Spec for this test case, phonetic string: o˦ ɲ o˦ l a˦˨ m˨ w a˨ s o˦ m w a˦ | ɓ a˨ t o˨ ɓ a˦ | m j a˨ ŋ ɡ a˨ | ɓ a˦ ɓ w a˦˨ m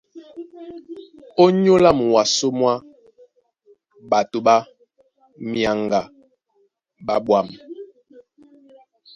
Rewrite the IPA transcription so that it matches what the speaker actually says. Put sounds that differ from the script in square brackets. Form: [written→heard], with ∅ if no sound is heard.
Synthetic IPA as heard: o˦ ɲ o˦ l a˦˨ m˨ w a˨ s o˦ m w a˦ | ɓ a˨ t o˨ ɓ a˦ | m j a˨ ŋ ɡ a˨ | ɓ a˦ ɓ w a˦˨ m

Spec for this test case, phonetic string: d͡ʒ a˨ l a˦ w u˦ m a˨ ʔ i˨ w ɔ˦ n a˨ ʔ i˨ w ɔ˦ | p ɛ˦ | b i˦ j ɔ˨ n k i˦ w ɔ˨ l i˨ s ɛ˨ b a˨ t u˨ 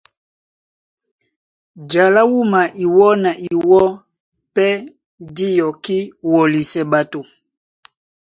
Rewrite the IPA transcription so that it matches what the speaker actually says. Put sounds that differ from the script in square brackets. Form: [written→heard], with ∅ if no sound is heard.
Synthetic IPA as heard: d͡ʒ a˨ l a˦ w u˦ m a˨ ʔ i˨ w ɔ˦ n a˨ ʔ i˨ w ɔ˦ | p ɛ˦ | [b→d] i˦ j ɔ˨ [n→∅] k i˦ w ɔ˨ l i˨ s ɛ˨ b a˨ t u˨

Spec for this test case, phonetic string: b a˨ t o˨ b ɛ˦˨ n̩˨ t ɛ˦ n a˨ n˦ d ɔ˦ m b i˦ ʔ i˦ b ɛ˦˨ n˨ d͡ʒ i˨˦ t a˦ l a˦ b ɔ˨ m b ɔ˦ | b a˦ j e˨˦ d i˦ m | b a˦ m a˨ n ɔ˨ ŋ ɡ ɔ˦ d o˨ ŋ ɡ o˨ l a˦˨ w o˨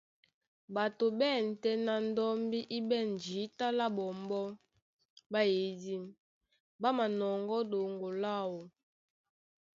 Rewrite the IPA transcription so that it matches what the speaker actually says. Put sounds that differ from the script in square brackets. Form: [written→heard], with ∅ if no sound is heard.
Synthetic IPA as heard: b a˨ t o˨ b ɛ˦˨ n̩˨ t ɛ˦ n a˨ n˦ d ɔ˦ m b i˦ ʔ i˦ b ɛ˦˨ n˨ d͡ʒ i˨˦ t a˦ l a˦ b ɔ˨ m b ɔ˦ | b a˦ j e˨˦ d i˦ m | b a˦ m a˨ n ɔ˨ ŋ ɡ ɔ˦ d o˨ ŋ ɡ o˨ l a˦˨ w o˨

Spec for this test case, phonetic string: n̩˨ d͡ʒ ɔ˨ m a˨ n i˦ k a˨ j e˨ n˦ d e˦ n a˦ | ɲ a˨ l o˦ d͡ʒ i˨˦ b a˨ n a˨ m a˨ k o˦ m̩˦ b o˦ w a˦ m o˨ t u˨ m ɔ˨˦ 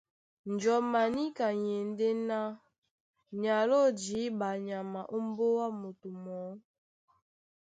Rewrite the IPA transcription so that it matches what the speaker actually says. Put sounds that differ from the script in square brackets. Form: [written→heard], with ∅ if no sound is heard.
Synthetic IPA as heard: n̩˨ d͡ʒ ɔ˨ m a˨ n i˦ k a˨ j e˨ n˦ d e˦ n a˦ | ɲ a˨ l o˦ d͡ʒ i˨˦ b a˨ [n→ɲ] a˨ m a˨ [k→ʔ] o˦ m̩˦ b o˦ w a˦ m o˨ t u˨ m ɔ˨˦

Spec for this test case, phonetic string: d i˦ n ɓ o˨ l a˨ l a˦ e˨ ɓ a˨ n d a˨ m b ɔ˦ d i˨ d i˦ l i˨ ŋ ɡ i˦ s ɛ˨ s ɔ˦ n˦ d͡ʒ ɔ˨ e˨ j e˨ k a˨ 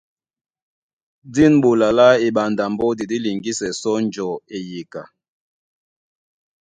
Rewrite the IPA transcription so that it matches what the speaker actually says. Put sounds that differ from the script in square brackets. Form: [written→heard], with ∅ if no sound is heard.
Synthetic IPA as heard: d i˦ n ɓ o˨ l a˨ l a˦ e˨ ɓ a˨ n d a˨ m b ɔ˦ d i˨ d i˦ l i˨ ŋ ɡ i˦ s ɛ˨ s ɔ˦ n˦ d͡ʒ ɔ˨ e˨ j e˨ k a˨

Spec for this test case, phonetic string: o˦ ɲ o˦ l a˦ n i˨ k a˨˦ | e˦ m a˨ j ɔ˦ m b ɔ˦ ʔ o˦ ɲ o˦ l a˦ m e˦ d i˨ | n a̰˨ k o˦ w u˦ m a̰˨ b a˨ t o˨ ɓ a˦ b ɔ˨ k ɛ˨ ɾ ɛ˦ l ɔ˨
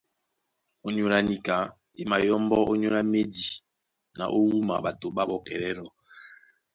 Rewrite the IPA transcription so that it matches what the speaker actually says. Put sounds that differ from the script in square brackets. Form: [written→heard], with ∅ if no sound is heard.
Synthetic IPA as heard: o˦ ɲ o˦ l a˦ n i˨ k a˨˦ | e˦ m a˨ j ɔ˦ m b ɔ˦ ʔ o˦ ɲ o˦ l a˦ m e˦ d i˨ | n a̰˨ [k→ʔ] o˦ w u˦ m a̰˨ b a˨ t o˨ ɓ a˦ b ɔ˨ k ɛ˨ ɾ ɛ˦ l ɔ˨

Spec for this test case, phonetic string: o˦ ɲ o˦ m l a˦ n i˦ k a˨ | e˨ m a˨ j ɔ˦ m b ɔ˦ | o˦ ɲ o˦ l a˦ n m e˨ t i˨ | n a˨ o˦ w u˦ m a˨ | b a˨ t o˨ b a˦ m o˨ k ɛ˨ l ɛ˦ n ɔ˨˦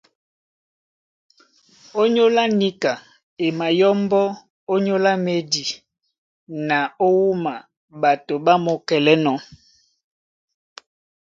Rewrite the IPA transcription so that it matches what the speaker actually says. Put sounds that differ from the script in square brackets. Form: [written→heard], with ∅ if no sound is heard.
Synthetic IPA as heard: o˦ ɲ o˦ [m→∅] l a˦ n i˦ k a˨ | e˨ m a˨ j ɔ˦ m b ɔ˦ | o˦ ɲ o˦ l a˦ [n→∅] m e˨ [t→d] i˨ | n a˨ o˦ w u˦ m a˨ | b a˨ t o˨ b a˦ m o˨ k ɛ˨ l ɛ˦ n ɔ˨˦

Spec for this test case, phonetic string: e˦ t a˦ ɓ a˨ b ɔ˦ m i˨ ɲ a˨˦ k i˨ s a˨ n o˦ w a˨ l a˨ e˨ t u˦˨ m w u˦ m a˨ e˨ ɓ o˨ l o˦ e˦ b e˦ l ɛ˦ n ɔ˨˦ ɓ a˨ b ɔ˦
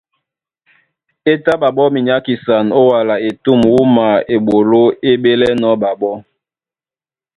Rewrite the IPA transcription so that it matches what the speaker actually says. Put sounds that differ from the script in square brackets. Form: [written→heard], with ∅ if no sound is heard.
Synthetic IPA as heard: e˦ t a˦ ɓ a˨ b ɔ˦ m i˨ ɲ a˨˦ k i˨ s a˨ n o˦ w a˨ l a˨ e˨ t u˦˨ m w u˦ m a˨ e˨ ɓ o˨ l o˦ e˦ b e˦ l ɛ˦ n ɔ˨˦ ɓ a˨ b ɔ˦

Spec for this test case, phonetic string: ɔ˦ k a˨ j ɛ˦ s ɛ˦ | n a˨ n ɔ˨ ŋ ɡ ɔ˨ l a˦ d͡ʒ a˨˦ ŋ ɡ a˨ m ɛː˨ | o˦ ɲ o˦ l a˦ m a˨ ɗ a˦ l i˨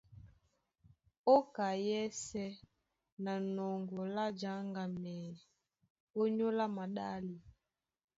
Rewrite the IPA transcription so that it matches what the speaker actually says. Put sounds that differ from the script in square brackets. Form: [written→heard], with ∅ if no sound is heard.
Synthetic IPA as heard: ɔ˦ k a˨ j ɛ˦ s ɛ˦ | n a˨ n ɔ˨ ŋ ɡ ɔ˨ l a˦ d͡ʒ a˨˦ ŋ ɡ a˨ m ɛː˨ | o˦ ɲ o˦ l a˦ m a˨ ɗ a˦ l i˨

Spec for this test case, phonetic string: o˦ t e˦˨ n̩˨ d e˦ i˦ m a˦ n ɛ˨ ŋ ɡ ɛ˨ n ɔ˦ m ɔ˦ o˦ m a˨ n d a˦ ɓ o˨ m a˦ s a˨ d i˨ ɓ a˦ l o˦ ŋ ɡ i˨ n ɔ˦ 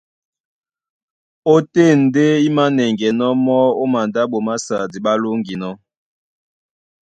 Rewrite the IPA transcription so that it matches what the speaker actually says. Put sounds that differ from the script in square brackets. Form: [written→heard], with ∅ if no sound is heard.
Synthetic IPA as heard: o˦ t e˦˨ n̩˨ d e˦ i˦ m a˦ n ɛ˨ ŋ ɡ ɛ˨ n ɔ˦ m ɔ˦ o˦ m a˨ n d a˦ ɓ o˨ m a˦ s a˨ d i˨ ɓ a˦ l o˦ ŋ ɡ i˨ n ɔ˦

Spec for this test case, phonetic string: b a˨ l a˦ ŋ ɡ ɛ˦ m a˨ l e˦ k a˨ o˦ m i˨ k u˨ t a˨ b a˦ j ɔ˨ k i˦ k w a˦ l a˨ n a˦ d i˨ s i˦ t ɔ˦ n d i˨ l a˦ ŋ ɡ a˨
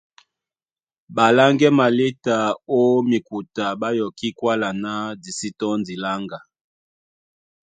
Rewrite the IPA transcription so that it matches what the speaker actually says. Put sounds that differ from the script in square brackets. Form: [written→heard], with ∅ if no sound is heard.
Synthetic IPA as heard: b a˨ l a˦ ŋ ɡ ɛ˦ m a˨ l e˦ [k→t] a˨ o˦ m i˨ k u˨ t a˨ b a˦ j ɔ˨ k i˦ k w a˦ l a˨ n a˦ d i˨ s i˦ t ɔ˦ n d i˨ l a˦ ŋ ɡ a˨

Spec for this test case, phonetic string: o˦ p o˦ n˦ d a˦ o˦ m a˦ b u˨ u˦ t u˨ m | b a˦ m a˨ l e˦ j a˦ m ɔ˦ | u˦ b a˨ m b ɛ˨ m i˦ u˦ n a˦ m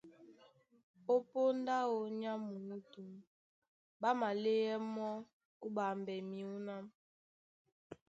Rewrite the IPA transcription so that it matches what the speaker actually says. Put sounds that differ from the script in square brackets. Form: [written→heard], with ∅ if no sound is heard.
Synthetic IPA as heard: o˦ p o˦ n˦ d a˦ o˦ [m→ɲ] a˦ [b→m] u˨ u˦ t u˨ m | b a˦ m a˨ l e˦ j [a˦→ɛ˦] m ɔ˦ | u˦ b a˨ m b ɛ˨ m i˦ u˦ n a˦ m

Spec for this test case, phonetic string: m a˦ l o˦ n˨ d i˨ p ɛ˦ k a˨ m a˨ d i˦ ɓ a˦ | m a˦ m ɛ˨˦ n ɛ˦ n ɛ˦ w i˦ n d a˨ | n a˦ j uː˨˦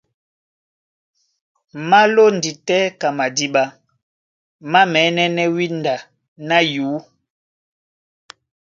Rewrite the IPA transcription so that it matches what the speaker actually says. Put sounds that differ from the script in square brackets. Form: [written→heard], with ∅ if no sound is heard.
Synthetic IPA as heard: m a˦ l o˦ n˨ d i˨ [p→t] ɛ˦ k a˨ m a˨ d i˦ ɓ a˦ | m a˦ m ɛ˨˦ n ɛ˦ n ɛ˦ w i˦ n d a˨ | n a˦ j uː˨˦

